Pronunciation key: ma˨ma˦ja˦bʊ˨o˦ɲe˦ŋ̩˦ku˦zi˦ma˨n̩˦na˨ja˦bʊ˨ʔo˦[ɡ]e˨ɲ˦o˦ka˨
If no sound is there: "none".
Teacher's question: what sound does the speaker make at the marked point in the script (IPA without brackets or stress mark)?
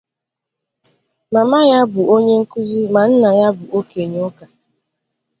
k